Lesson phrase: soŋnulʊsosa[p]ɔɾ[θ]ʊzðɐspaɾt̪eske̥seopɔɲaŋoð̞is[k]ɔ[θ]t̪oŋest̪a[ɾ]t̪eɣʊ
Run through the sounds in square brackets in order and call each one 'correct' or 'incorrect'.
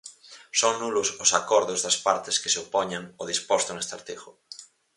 incorrect: k, incorrect: ð, incorrect: p, incorrect: s, correct

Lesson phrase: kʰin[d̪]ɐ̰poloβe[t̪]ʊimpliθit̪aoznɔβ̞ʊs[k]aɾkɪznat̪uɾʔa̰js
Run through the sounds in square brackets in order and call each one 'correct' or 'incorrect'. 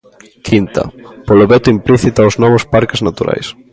incorrect: t̪, correct, incorrect: p

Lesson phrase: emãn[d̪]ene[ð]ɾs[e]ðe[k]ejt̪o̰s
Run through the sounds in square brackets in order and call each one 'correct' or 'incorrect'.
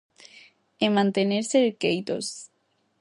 incorrect: t̪, incorrect: none, correct, correct

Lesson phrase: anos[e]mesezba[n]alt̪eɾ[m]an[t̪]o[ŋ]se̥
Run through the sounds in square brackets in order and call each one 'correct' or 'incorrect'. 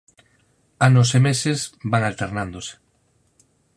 correct, incorrect: ŋ, incorrect: n, incorrect: d̪, incorrect: none

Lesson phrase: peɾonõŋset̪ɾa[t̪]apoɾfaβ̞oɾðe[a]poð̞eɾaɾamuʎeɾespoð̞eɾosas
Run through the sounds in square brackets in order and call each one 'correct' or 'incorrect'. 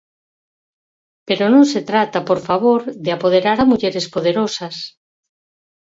correct, correct

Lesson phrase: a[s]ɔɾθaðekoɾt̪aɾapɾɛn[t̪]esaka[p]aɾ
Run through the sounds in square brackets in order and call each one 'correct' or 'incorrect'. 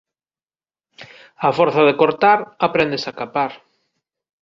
incorrect: f, incorrect: d̪, correct

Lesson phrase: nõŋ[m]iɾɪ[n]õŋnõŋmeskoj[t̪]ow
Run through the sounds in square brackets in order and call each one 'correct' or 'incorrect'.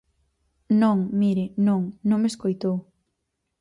correct, correct, correct

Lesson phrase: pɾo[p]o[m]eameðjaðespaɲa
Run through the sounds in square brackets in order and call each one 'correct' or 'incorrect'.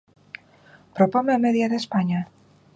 correct, correct

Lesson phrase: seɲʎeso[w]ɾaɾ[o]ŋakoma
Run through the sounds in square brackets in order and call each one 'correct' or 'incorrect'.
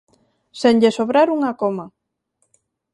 incorrect: β, incorrect: u

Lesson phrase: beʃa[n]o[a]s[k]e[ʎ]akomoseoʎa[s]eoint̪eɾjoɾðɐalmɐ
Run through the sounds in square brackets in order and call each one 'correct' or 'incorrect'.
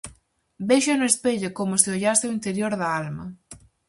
correct, incorrect: e, incorrect: p, correct, correct

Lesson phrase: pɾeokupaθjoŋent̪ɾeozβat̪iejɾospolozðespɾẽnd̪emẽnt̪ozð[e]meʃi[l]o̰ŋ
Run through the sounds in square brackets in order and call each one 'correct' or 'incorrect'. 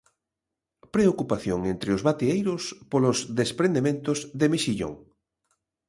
correct, incorrect: ʎ

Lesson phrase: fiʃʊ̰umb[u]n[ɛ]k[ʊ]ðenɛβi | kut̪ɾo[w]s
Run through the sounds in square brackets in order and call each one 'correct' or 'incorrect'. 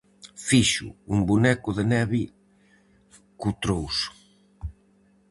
correct, correct, correct, correct

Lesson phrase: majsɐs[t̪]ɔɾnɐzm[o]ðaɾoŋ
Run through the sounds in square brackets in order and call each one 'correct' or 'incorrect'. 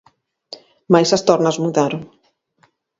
correct, incorrect: u

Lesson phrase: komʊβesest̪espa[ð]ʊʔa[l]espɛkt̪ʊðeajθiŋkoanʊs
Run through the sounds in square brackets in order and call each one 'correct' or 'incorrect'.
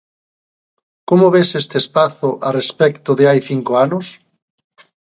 incorrect: θ, incorrect: r

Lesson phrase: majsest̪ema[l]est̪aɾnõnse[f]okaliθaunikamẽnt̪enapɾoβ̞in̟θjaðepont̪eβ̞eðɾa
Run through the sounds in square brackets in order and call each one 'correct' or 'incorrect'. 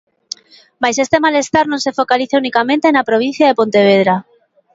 correct, correct

